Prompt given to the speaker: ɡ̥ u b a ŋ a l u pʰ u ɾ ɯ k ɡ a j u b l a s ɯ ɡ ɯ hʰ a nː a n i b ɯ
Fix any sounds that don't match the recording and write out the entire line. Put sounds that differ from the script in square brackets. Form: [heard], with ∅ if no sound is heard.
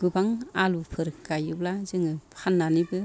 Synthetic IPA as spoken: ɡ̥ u b a ŋ a l u pʰ [ɯ] ɾ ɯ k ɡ a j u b l a [z] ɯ [ŋ] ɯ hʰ a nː a n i b ɯ